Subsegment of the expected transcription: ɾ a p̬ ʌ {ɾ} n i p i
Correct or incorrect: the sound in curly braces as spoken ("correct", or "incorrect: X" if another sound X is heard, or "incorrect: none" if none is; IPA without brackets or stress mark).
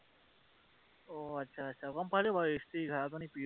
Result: incorrect: none